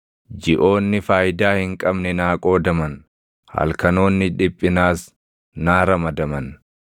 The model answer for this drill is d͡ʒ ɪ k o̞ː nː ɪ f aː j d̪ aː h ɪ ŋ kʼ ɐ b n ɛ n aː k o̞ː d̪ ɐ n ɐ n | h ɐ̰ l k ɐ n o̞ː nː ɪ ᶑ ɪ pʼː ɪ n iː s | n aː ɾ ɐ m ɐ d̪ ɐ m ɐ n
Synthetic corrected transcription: d͡ʒ ɪ ʔ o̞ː nː ɪ f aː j d̪ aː h ɪ ŋ kʼ ɐ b n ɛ n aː kʼ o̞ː d̪ ɐ m ɐ n | h ɐ̰ l k ɐ n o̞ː nː ɪ ᶑ ɪ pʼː ɪ n aː s | n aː ɾ ɐ m ɐ d̪ ɐ m ɐ n